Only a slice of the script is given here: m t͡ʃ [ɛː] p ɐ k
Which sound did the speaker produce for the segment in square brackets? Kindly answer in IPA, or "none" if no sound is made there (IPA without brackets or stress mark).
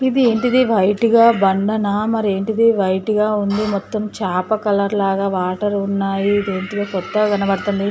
aː